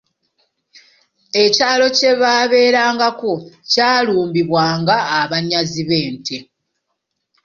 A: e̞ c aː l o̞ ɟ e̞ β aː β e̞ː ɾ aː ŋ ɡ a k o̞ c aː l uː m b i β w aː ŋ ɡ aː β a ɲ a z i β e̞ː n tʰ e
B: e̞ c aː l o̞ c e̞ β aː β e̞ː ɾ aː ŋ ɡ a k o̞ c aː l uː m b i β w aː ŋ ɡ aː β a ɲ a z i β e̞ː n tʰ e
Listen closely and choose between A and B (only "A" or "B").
B